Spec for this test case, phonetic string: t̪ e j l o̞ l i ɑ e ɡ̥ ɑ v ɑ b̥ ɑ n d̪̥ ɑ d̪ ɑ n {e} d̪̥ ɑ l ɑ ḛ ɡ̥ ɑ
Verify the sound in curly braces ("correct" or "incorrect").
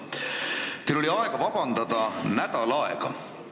incorrect